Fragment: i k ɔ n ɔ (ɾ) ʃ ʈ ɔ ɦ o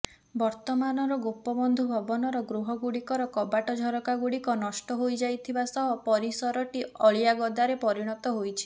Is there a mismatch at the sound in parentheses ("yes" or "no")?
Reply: yes